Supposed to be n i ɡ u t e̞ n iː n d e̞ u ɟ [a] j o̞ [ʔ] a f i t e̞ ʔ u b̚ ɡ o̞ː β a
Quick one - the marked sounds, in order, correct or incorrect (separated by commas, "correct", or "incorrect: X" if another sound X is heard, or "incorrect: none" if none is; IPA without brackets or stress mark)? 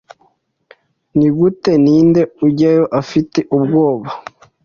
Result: correct, correct